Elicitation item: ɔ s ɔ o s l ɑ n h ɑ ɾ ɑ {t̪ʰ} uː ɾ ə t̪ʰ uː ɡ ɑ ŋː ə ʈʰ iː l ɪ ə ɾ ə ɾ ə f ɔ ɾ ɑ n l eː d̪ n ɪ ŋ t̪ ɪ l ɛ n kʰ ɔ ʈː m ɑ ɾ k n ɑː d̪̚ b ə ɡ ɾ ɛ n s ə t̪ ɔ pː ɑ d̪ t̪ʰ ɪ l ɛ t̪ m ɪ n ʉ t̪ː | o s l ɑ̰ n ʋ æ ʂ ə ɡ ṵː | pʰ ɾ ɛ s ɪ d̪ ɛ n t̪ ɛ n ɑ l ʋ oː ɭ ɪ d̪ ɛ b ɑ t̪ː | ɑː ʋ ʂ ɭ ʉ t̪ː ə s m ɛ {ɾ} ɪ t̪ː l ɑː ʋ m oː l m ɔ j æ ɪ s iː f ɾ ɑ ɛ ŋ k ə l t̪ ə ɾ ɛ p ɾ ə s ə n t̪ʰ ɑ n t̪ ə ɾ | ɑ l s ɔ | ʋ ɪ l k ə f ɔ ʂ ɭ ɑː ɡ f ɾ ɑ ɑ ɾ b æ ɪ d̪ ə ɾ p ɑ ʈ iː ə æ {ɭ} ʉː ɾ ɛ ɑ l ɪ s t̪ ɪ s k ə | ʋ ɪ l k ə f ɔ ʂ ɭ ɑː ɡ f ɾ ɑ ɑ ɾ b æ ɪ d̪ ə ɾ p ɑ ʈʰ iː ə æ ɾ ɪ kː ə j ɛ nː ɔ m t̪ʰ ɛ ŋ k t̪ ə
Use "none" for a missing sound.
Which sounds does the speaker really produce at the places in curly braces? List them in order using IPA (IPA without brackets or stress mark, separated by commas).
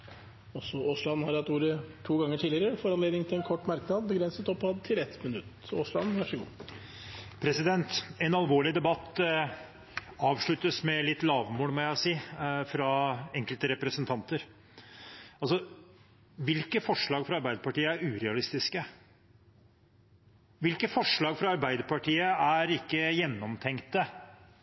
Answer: t̪, l, ɾ